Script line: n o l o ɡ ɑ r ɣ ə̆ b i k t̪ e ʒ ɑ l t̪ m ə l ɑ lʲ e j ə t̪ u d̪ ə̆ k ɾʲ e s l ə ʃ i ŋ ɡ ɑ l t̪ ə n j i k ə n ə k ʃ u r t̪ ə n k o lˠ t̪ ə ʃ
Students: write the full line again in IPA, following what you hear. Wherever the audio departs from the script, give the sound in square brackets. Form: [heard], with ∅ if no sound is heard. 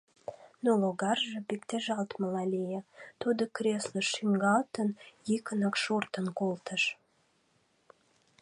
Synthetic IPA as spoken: n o l o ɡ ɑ r [ʒ] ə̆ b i k t̪ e ʒ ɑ l t̪ m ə l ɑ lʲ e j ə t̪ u d̪ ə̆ k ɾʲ e s l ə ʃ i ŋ ɡ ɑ l t̪ ə n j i k ə n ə k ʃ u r t̪ ə n k o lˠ t̪ ə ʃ